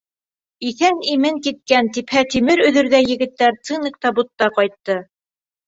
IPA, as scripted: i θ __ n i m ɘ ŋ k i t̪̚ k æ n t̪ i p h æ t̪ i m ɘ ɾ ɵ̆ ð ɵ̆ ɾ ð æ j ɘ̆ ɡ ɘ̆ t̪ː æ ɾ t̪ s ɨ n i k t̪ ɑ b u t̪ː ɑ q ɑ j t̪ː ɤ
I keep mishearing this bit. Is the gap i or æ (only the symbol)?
æ